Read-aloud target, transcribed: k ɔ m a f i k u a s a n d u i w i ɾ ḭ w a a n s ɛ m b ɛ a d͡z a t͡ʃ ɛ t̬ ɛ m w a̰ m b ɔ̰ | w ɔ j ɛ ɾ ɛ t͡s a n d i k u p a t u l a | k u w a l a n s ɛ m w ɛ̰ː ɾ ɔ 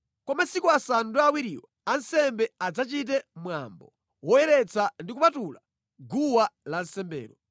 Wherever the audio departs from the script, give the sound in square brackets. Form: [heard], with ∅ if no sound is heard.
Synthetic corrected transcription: k ɔ m a [s] i k u a s a n d u [a] w i ɾ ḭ w a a n s ɛ m b ɛ a d͡z a t͡ʃ [i] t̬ ɛ m w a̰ m b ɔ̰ | w ɔ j ɛ ɾ ɛ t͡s a n d i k u p a t u l a | [ɡ] u w a l a n s ɛ m [b] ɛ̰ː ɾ ɔ